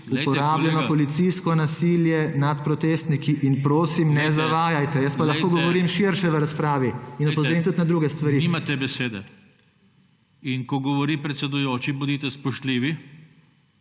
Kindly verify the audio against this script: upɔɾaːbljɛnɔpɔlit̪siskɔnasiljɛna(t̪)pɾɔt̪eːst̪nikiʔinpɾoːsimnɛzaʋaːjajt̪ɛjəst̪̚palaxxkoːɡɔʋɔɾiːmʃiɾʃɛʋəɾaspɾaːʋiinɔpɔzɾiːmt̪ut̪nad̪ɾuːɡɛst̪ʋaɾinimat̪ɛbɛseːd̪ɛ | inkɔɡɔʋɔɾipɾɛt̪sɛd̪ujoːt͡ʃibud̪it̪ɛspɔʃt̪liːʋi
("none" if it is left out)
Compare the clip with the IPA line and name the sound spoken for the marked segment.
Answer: t̪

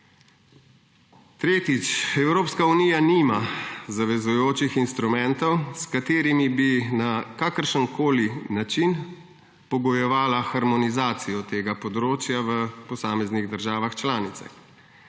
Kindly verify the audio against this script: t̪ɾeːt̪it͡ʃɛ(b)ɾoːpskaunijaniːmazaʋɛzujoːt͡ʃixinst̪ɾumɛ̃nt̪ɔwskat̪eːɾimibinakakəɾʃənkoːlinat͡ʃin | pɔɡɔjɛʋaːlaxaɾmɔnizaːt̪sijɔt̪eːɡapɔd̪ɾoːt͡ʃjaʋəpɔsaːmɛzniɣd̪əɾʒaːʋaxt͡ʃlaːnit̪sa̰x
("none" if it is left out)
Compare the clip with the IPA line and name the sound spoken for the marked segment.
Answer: w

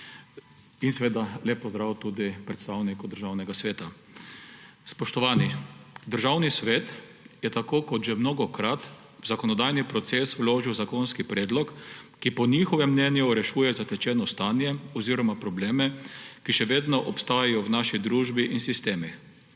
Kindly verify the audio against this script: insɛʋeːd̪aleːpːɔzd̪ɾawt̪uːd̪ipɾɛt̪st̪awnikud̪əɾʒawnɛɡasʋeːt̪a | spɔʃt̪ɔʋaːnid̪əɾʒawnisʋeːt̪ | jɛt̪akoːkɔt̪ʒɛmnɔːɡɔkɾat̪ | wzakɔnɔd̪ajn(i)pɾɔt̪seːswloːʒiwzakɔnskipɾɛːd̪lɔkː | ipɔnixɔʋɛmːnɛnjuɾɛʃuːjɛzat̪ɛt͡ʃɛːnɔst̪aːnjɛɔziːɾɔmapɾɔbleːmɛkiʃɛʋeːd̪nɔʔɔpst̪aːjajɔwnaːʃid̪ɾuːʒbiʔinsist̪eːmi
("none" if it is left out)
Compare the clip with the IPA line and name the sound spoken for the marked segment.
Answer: i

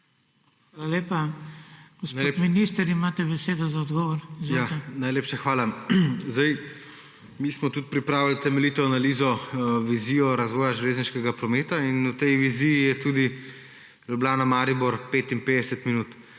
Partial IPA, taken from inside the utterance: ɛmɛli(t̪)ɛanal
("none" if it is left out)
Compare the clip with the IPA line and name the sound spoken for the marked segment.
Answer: t̪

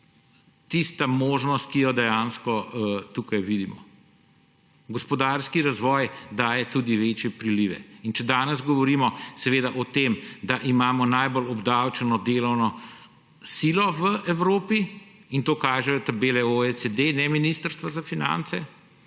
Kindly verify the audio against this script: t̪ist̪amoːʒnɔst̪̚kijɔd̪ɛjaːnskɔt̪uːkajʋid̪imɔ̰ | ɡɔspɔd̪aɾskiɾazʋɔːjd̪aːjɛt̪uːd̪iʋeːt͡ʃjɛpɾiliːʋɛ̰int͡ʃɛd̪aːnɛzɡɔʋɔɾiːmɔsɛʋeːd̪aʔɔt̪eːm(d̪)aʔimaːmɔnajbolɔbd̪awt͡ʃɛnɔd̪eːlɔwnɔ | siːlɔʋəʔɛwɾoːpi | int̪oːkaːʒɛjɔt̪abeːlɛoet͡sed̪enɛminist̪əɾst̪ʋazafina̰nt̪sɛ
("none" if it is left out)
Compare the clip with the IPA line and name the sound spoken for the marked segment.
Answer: d̪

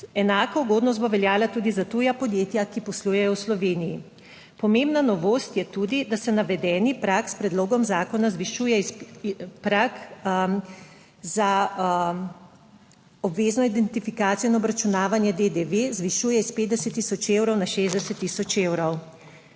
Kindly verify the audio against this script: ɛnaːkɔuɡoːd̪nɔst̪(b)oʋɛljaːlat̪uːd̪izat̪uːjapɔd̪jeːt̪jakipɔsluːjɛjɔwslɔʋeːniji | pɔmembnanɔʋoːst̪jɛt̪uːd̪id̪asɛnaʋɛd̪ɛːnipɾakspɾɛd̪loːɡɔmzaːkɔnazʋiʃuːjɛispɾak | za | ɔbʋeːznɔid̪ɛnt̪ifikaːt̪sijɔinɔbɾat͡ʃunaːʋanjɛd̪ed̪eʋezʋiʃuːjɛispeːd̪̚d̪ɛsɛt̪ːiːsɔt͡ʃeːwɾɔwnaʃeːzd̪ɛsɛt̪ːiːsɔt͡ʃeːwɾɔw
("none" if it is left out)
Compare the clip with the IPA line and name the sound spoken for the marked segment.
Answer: b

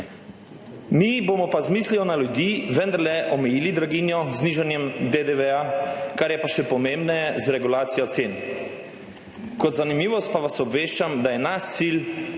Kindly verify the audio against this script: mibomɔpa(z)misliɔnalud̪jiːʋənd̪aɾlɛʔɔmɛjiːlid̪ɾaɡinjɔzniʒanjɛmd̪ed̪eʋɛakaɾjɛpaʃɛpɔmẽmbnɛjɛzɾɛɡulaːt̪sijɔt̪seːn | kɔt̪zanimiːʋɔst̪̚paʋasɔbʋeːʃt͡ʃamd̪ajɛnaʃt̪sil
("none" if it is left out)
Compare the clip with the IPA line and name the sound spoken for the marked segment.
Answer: z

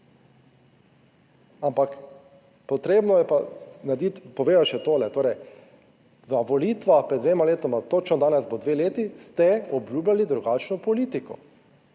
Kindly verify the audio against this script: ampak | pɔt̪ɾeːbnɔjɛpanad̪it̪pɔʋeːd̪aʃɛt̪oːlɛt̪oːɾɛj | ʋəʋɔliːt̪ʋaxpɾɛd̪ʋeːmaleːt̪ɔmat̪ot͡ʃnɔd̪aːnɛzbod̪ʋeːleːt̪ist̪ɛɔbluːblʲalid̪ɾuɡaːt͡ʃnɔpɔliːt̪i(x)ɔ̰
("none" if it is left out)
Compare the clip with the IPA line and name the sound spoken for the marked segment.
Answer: k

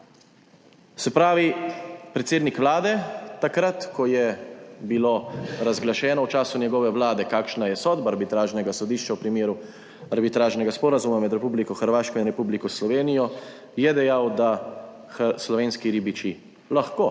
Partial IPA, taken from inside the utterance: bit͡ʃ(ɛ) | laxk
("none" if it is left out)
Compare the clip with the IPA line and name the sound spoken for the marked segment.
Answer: i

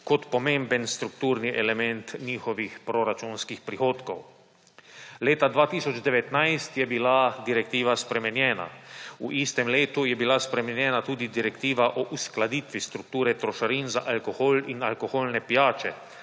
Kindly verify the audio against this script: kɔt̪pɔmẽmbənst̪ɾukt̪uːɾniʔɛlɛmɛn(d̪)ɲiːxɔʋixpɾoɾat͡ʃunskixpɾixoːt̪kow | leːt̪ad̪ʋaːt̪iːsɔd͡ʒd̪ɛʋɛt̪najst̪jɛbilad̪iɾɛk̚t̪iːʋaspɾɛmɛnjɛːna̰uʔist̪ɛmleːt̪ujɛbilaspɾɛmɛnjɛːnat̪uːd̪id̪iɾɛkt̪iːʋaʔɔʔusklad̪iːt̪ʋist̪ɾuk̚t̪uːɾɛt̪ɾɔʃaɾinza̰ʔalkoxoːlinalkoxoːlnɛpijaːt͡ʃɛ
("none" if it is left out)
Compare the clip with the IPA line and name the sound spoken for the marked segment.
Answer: t̪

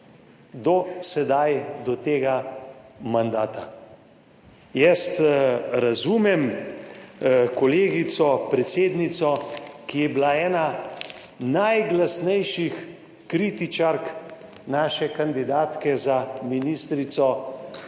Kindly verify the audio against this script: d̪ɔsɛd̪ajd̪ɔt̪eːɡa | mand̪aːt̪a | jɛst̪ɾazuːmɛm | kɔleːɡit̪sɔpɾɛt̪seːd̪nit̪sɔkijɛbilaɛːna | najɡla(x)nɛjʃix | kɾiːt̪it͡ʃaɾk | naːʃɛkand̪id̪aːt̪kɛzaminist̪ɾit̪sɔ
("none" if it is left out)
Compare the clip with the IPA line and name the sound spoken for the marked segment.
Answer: s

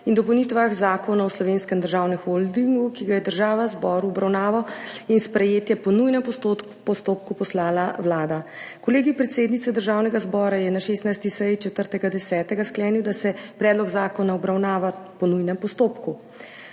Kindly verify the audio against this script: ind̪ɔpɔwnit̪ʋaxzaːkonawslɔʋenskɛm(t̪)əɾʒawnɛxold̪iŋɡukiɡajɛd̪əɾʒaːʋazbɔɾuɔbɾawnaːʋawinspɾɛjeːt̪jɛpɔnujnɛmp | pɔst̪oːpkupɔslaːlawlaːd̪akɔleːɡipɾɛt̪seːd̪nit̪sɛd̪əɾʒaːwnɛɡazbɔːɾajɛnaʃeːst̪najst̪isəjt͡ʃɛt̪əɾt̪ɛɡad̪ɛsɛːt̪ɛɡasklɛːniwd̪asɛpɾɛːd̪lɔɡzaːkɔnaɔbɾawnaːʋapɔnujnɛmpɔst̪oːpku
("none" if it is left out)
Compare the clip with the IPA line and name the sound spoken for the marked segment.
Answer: d̪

